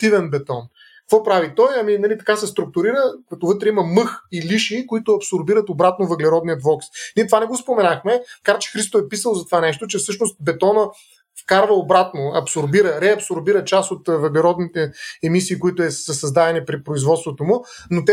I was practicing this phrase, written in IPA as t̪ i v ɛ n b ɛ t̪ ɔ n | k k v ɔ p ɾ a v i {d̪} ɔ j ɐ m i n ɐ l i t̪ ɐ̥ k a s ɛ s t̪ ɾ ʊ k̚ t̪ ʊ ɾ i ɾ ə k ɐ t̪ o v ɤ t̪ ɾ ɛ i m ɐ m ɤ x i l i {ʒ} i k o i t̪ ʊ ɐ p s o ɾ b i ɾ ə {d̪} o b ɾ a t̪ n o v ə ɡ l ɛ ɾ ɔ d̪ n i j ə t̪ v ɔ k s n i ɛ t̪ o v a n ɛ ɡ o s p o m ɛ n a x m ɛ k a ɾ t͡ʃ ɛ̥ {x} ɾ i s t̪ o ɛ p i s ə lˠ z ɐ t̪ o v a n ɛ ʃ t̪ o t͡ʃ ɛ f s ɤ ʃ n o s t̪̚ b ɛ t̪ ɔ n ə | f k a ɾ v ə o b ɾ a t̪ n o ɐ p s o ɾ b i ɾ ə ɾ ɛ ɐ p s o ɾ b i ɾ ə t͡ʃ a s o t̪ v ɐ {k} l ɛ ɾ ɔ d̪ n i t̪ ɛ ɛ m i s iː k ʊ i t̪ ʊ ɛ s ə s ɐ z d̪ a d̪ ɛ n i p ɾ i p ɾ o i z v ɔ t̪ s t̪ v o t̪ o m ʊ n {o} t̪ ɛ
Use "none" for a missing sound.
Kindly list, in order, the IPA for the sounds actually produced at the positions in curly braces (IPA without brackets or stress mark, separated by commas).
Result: t̪, ʃ, t̪, x, ɡ, o